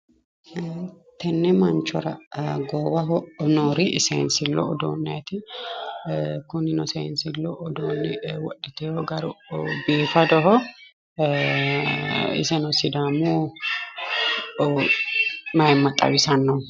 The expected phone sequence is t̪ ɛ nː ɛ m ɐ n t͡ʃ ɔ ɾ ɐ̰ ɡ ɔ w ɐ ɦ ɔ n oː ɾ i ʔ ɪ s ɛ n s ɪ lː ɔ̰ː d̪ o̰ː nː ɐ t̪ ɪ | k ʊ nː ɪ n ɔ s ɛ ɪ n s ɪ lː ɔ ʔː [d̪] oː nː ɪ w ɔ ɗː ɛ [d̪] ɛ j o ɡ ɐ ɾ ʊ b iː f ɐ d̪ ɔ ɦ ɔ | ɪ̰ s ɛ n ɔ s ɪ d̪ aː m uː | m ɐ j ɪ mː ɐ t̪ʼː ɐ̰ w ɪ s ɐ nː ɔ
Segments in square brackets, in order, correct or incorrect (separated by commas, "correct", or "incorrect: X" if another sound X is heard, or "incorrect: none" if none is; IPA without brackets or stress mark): correct, incorrect: t̪